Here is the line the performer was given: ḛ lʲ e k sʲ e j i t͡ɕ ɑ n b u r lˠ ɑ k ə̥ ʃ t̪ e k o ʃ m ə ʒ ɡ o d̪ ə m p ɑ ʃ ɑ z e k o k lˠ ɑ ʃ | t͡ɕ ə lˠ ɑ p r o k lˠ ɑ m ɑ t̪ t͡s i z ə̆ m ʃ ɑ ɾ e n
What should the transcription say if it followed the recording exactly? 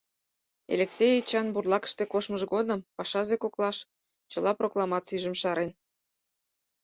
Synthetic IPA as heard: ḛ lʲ e k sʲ e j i t͡ɕ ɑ n b u r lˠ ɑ k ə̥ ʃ t̪ e k o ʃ m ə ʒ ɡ o d̪ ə m p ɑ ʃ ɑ z e k o k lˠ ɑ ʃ | t͡ɕ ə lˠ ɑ p r o k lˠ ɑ m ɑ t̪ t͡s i ʒ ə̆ m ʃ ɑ ɾ e n